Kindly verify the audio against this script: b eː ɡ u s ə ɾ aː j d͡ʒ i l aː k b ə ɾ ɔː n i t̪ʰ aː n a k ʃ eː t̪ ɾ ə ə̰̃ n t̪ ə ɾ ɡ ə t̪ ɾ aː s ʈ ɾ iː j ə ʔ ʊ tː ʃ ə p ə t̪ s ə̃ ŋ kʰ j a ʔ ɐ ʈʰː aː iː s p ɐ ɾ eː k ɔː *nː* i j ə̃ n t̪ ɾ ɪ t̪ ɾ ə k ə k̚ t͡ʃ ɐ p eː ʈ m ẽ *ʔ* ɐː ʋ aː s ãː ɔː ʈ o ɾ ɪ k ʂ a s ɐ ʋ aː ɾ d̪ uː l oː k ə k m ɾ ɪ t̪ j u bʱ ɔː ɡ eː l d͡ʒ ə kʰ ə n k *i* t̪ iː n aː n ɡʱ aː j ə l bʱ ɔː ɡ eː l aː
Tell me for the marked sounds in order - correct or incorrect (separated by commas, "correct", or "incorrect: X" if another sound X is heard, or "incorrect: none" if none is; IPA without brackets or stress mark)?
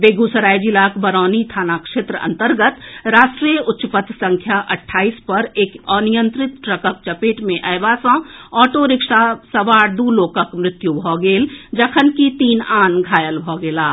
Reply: incorrect: n, correct, correct